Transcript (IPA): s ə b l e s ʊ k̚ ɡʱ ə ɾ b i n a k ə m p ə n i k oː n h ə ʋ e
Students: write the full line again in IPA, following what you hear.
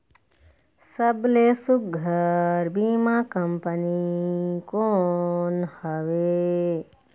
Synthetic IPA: s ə b l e s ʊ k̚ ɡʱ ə ɾ b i m a k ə m p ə n i k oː n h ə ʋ e